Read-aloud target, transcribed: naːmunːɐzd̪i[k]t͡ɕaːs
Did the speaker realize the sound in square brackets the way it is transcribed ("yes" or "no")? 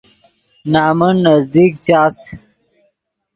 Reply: yes